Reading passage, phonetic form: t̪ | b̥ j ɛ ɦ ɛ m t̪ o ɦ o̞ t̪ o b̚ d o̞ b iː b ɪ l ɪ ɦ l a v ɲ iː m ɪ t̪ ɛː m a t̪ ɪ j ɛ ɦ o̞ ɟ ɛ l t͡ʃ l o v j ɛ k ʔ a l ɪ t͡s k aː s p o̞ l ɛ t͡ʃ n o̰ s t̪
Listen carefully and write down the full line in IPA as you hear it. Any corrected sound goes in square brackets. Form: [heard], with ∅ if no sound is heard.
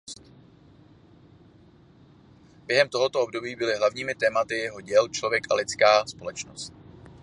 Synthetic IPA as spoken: t̪ | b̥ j ɛ ɦ ɛ m t̪ o ɦ o̞ t̪ o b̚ d o̞ b iː b ɪ l ɪ ɦ l a v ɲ iː m ɪ t̪ ɛː m a t̪ ɪ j ɛ ɦ o̞ ɟ ɛ l t͡ʃ l o v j ɛ k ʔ a l ɪ t͡s k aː s p o̞ l ɛ t͡ʃ n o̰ s t̪

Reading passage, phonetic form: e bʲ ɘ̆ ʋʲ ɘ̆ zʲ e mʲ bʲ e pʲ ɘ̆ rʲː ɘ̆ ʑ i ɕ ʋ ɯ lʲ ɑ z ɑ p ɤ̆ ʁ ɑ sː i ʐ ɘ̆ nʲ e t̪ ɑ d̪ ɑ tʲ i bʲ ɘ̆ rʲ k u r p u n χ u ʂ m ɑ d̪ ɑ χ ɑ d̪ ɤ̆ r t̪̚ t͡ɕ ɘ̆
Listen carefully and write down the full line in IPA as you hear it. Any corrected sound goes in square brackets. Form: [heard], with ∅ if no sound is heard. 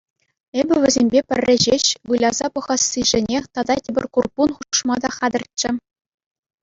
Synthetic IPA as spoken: e bʲ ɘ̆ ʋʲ ɘ̆ zʲ e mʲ bʲ e pʲ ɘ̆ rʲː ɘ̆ ʑ [e] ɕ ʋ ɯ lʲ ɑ z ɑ p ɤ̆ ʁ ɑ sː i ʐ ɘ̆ nʲ e t̪ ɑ d̪ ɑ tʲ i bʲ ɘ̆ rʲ k u r p u n χ u ʂ m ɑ d̪ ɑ χ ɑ d̪ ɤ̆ r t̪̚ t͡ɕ ɘ̆

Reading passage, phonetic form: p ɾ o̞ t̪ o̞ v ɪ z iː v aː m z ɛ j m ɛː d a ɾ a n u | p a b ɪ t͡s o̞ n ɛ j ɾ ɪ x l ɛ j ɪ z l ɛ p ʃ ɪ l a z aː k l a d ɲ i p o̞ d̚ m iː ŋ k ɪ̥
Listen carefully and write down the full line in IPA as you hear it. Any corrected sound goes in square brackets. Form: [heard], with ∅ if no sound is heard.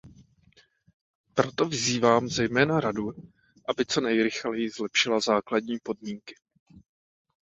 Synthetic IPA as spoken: p ɾ o̞ t̪ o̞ v ɪ z iː v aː m z ɛ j m ɛː [n] a ɾ a [d] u | [ʔ] a b ɪ t͡s o̞ n ɛ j ɾ ɪ x l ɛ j ɪ z l ɛ p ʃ ɪ l a z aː k l a d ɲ [iː] p o̞ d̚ m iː ŋ k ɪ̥

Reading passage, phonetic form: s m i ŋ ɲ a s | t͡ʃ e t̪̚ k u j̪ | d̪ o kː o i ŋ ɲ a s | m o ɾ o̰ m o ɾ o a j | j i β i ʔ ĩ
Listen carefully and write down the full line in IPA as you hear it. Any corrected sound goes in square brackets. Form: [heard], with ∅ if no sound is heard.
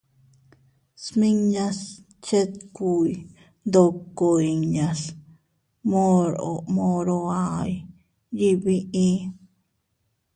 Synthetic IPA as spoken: s m i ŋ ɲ a s | t͡ʃ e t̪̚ k u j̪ | d̪ o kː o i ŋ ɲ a s | m o ɾ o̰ m o ɾ o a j | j i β i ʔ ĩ

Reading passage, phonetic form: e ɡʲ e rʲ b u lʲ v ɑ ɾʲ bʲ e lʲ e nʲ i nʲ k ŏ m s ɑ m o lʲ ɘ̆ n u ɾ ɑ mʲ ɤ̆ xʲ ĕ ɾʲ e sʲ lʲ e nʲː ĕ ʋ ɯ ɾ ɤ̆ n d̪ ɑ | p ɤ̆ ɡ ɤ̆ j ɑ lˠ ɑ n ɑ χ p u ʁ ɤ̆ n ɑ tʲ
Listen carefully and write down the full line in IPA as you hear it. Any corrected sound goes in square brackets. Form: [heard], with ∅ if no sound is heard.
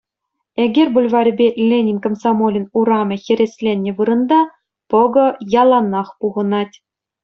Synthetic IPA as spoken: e ɡʲ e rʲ b u lʲ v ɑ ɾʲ bʲ e lʲ e nʲ i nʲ k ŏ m s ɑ m o lʲ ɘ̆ n u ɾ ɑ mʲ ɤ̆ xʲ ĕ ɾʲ e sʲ lʲ e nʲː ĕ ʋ ɯ ɾ ɤ̆ n d̪ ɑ | p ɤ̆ ɡ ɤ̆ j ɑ lˠ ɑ n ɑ χ p u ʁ ɤ̆ n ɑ tʲ

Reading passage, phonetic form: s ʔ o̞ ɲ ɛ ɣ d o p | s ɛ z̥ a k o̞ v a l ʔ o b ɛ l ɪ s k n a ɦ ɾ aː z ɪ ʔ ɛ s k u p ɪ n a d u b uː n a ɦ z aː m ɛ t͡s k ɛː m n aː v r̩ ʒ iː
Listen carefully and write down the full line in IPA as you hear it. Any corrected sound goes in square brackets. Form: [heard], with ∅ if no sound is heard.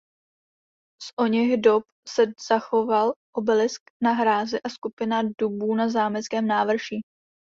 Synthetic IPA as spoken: s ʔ o̞ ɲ ɛ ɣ d o p | s ɛ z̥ a [x] o̞ v a l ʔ o b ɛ l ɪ s k n a ɦ ɾ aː z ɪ ʔ [a] s k u p ɪ n a d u b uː n a [∅] z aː m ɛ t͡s k ɛː m n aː v r̩ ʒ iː

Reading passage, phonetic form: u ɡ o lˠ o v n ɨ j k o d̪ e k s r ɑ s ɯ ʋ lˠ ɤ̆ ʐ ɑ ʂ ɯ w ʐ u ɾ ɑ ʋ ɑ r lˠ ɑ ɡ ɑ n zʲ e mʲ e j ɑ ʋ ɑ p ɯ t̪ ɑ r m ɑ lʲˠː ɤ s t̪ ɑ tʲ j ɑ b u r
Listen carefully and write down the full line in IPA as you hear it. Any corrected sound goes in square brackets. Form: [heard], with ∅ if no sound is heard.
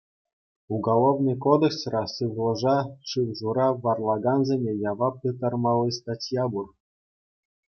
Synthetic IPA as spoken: u ɡ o lˠ o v n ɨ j k o d̪ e k s r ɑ s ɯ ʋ lˠ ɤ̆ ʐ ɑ ʂ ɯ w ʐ u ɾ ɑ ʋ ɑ r lˠ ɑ ɡ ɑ n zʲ e mʲ e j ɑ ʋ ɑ p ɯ t̪ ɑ r m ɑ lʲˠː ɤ s t̪ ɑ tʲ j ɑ b u r

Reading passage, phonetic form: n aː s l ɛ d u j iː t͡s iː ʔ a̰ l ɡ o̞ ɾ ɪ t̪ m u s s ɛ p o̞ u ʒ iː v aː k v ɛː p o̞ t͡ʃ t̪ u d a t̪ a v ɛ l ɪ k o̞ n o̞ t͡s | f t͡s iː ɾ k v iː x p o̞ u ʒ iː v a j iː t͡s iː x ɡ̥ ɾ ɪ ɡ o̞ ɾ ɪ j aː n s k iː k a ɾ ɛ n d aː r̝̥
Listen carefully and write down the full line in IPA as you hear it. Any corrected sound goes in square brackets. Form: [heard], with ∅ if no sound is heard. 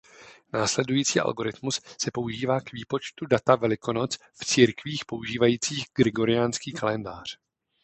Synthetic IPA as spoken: n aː s l ɛ d u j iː t͡s iː ʔ a̰ l ɡ o̞ ɾ ɪ t̪ m u s s ɛ p o̞ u ʒ iː v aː k v [iː] p o̞ t͡ʃ t̪ u d a t̪ a v ɛ l ɪ k o̞ n o̞ t͡s | f t͡s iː ɾ k v iː x p o̞ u ʒ iː v a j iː t͡s iː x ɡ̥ ɾ ɪ ɡ o̞ ɾ ɪ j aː n s k iː k a [l] ɛ n d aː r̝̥

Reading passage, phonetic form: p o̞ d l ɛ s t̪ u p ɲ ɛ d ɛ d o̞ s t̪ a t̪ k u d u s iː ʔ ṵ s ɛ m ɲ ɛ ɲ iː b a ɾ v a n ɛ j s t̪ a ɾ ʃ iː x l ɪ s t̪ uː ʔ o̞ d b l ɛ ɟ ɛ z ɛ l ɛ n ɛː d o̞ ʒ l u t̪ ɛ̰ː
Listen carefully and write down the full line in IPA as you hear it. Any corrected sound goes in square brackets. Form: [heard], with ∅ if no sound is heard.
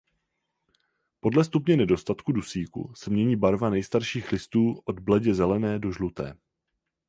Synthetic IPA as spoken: p o̞ d l ɛ s t̪ u p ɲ ɛ [n] ɛ d o̞ s t̪ a t̪ k u d u s iː [k] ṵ s ɛ m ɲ ɛ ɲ iː b a ɾ v a n ɛ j s t̪ a ɾ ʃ iː x l ɪ s t̪ uː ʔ o̞ d b l ɛ ɟ ɛ z ɛ l ɛ n ɛː d o̞ ʒ l u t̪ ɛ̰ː

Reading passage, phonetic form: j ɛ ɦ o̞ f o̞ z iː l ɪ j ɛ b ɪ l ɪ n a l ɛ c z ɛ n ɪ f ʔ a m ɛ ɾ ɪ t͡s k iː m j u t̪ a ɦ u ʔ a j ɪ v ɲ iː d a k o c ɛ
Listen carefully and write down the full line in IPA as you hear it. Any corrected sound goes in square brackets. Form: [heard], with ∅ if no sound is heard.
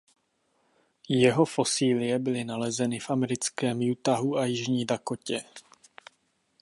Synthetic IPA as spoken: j ɛ ɦ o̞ f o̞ [s] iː l ɪ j ɛ b ɪ l ɪ n a l ɛ [∅] z ɛ n ɪ f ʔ a m ɛ ɾ ɪ t͡s k [ɛː] m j u t̪ a ɦ u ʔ a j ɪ [ʒ] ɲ iː d a k o c ɛ

